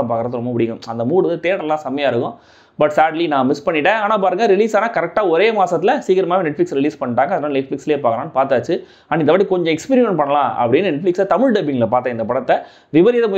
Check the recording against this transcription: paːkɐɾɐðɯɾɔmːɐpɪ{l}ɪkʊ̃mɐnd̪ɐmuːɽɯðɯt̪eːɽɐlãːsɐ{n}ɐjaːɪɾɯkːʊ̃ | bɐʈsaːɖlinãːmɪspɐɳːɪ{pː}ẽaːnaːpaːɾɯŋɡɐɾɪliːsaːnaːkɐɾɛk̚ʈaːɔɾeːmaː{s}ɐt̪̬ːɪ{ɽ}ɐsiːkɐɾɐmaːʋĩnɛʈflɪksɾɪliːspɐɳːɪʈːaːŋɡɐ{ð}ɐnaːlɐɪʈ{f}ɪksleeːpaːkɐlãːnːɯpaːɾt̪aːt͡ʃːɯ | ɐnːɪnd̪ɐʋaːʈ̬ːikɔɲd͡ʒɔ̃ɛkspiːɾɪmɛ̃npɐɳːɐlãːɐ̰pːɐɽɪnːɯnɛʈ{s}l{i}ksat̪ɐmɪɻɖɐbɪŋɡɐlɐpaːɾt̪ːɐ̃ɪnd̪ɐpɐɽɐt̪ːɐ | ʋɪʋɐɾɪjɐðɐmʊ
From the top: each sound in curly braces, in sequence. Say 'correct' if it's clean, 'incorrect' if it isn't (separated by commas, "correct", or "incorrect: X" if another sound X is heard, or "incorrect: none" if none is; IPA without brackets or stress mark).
incorrect: ɽ, incorrect: m, incorrect: ʈː, correct, incorrect: l, correct, correct, incorrect: f, incorrect: ɪ